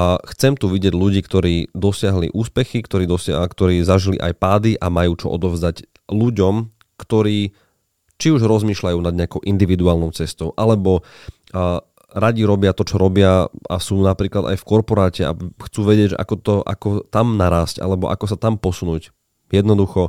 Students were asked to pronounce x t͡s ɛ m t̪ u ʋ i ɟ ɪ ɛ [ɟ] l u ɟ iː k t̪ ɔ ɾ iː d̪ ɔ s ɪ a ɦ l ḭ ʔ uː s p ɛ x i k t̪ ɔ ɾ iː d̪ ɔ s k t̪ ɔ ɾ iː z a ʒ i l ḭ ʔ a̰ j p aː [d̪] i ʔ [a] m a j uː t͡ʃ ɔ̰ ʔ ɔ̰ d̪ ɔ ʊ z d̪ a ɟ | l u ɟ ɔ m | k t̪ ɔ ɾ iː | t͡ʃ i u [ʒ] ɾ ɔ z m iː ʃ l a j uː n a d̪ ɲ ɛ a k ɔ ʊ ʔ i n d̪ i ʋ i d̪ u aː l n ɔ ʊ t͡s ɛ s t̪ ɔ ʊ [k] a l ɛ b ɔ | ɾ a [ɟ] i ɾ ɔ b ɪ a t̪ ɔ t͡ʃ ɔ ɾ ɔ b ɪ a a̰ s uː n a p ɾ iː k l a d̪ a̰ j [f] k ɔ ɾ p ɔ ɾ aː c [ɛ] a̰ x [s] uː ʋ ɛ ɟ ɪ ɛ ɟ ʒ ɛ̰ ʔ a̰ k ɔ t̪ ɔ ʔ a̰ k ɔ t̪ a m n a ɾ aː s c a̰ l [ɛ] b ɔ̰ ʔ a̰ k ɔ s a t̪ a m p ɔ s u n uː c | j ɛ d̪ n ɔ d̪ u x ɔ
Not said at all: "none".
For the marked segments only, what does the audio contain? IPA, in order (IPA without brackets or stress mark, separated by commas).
ɟ, d̪, a, ʒ, ʔ, ɟ, f, ɛ, t͡s, ɛ